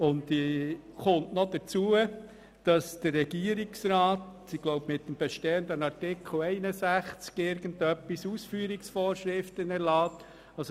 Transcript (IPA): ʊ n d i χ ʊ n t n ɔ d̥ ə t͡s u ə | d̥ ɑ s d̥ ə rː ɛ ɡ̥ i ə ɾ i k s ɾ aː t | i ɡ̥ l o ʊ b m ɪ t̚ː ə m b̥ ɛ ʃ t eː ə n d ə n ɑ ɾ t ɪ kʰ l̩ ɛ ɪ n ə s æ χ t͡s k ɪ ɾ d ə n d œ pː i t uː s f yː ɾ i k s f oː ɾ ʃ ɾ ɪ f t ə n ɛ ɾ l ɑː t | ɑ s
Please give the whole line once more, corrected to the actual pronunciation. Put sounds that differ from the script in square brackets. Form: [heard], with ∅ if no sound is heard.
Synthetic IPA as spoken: ʊ n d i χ ʊ n t n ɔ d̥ ə t͡s u ə | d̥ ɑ s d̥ ə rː ɛ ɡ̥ i ə ɾ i k s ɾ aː t | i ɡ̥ l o ʊ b m ɪ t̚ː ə m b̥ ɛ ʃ t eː ə n d ə n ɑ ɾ t ɪ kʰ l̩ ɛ ɪ n ə s æ χ t͡s k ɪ ɾ [ɡ] ə n d œ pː i [s] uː s f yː ɾ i k s f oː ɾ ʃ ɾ ɪ f t ə n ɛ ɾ l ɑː t | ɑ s